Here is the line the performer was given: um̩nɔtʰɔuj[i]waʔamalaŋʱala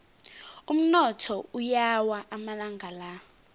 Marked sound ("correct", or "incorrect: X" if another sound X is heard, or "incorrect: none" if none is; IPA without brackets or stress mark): incorrect: a